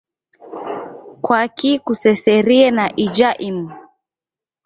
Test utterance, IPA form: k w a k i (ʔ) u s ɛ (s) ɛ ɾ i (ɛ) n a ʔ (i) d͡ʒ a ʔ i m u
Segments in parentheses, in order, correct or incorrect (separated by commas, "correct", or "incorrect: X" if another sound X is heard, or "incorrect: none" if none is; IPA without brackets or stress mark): incorrect: k, correct, correct, correct